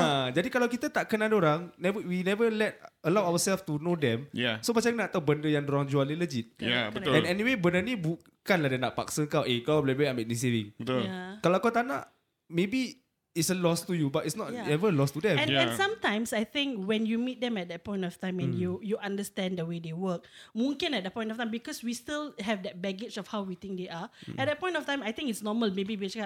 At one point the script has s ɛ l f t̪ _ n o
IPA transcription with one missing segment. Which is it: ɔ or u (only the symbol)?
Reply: u